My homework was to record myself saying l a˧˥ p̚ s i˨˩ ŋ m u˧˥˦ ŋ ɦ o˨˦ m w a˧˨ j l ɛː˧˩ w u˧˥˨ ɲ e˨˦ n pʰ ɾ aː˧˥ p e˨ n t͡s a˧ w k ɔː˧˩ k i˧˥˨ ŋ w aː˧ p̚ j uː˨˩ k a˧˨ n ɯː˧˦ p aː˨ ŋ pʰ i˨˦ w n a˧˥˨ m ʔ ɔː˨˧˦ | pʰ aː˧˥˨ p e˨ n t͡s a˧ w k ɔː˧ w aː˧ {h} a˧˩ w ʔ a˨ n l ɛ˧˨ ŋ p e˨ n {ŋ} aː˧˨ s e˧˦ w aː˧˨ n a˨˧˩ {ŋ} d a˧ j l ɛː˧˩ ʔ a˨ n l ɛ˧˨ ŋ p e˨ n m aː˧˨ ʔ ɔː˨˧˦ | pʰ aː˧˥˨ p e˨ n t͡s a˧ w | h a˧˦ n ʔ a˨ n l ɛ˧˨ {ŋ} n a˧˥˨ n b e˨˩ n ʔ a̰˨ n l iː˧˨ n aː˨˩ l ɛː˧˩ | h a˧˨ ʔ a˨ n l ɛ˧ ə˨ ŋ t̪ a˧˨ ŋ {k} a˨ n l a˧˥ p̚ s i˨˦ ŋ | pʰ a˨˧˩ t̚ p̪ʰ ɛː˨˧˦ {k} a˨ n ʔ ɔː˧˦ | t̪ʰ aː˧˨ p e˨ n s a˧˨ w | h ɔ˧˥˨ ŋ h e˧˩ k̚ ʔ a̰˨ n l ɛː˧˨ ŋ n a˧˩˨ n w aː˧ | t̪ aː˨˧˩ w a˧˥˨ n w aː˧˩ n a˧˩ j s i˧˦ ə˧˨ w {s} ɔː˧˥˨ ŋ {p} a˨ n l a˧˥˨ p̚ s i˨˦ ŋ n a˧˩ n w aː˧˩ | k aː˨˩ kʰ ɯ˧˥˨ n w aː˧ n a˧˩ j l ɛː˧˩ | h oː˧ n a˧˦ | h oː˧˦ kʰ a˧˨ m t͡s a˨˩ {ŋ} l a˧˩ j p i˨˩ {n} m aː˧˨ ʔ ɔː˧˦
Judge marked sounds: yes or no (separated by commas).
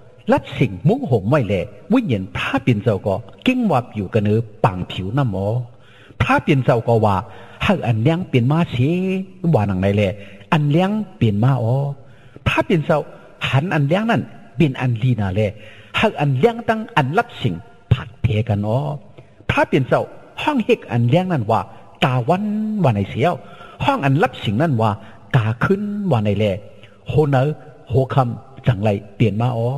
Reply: yes, no, yes, yes, no, yes, no, no, yes, yes